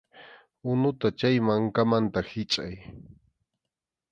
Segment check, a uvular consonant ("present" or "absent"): absent